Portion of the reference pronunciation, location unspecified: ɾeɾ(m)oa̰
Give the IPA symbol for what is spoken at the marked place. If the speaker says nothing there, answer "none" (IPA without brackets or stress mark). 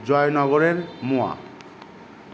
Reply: m